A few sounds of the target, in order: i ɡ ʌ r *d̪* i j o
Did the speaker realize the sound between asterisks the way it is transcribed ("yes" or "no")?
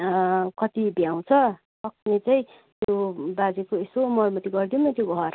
yes